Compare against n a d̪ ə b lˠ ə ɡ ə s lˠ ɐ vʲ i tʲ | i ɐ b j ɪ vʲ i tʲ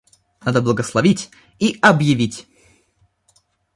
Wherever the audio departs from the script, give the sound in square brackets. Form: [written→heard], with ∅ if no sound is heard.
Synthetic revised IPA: n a d̪ ə b lˠ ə ɡ ə s lˠ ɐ vʲ i tʲ | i ɐ b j ɪ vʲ i tʲ

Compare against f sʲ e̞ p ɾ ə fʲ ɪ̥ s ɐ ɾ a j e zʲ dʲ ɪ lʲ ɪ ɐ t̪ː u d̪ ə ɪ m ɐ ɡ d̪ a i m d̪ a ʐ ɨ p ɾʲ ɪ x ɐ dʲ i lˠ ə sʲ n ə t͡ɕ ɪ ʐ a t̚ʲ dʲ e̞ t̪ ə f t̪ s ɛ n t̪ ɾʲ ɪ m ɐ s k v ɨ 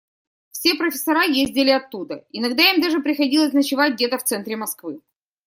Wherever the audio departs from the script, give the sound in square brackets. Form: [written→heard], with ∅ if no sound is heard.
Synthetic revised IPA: f sʲ e̞ p ɾ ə fʲ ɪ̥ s ɐ ɾ a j e zʲ dʲ ɪ lʲ ɪ ɐ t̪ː u d̪ ə ɪ [m→n] ɐ ɡ d̪ a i m d̪ a ʐ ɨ p ɾʲ ɪ x ɐ dʲ i lˠ ə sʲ n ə t͡ɕ ɪ [ʐ→v] a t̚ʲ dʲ e̞ t̪ ə f t̪ s ɛ n t̪ ɾʲ ɪ m ɐ s k v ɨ

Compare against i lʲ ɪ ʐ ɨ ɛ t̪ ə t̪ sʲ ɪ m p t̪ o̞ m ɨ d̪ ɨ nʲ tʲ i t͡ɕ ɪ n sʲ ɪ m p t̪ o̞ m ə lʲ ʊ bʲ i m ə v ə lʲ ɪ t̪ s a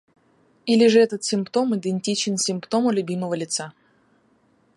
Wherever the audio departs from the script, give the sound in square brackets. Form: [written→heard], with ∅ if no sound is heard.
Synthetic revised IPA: i lʲ ɪ ʐ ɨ ɛ t̪ ə t̪ sʲ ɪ m p t̪ o̞ m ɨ d̪ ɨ nʲ tʲ i t͡ɕ ɪ n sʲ ɪ m p t̪ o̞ m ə lʲ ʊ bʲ i m ə v ə lʲ ɪ t̪ s a

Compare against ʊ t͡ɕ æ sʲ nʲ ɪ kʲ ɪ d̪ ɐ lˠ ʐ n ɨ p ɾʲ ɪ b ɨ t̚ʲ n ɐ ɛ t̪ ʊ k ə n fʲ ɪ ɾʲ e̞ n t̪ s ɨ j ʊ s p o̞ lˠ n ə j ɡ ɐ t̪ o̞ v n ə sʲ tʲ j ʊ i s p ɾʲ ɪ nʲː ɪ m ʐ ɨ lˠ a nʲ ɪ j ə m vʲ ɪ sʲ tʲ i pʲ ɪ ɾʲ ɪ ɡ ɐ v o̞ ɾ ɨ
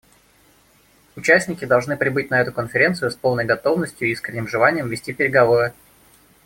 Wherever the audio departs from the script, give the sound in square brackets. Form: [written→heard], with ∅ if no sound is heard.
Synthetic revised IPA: ʊ t͡ɕ æ sʲ nʲ ɪ kʲ ɪ d̪ ɐ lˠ ʐ n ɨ p ɾʲ ɪ b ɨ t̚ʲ n ɐ ɛ t̪ ʊ k ə n fʲ ɪ ɾʲ e̞ n t̪ s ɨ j ʊ s p o̞ lˠ n ə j ɡ ɐ t̪ o̞ v n ə sʲ tʲ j ʊ i s [p→k] ɾʲ ɪ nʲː ɪ m ʐ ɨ lˠ a nʲ ɪ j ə m vʲ ɪ sʲ tʲ i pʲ ɪ ɾʲ ɪ ɡ ɐ v o̞ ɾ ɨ

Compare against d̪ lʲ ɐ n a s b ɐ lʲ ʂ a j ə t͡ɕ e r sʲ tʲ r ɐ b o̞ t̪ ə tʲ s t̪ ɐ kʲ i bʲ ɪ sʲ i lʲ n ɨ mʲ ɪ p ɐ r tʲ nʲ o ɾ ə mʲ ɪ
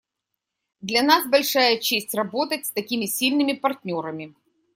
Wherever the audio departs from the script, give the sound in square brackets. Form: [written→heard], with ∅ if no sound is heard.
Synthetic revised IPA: d̪ lʲ ɐ n a s b ɐ lʲ ʂ a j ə t͡ɕ e [r→∅] sʲ tʲ r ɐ b o̞ t̪ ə tʲ s t̪ ɐ kʲ i [bʲ→mʲ] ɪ sʲ i lʲ n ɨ mʲ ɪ p ɐ r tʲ nʲ o ɾ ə mʲ ɪ

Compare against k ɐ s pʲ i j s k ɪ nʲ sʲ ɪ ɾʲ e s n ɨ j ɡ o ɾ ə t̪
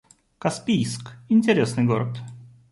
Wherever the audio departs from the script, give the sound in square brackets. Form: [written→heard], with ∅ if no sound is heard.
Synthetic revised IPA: k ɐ s pʲ i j s k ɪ nʲ [sʲ→tʲ] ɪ ɾʲ e s n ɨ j ɡ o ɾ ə t̪

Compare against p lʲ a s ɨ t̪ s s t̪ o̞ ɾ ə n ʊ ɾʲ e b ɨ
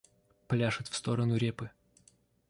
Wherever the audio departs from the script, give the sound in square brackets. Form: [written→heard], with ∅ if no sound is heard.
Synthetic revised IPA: p lʲ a [s→ʂ] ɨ t̪ [s→f] s t̪ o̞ ɾ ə n ʊ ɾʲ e [b→p] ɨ

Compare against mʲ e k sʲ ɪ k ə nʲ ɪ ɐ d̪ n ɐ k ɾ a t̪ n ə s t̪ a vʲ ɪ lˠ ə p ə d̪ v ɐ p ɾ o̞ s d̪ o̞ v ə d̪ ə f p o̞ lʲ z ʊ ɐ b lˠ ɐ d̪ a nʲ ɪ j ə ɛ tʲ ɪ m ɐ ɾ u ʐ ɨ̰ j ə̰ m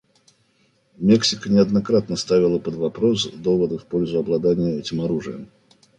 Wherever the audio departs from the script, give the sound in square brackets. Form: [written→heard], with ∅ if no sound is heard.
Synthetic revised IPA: mʲ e k sʲ ɪ k ə nʲ ɪ ɐ d̪ n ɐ k ɾ a t̪ n ə s t̪ a vʲ ɪ lˠ ə p ə d̪ v ɐ p ɾ o̞ s d̪ o̞ v ə d̪ ə f p o̞ lʲ z ʊ ɐ b lˠ ɐ d̪ a nʲ ɪ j ə ɛ tʲ ɪ m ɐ ɾ u ʐ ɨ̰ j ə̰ m

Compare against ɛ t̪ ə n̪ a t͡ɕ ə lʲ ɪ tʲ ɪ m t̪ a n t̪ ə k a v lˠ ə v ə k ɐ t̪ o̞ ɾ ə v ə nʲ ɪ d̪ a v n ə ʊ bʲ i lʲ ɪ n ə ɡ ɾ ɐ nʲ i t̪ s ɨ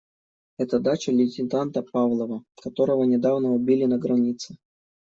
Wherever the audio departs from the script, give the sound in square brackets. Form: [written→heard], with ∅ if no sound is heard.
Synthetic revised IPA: ɛ t̪ ə [n̪→d̪] a t͡ɕ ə lʲ ɪ tʲ ɪ [m→n] t̪ a n t̪ ə [k→p] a v lˠ ə v ə k ɐ t̪ o̞ ɾ ə v ə nʲ ɪ d̪ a v n ə ʊ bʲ i lʲ ɪ n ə ɡ ɾ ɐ nʲ i t̪ s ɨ

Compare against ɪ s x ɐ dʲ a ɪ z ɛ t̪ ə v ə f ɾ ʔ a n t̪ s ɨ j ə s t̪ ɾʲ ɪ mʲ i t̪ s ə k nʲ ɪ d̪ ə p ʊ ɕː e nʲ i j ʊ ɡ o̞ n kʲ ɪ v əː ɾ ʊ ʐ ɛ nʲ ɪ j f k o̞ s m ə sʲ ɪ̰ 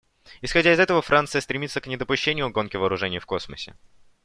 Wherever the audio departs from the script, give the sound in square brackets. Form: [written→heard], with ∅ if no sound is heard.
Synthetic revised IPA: ɪ s x ɐ dʲ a ɪ z ɛ t̪ ə v ə f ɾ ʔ a n t̪ s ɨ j ə s t̪ ɾʲ ɪ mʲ i t̪ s ə k nʲ ɪ d̪ ə p ʊ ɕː e nʲ [i→ɪ] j ʊ ɡ o̞ n kʲ ɪ v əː ɾ ʊ ʐ ɛ nʲ ɪ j f k o̞ s m ə sʲ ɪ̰

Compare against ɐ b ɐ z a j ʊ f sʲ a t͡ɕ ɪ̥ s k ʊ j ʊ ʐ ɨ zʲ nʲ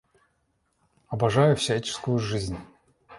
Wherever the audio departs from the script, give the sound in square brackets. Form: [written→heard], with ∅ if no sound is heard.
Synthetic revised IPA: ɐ b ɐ [z→ʐ] a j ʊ f sʲ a t͡ɕ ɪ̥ s k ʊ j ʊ ʐ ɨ zʲ nʲ

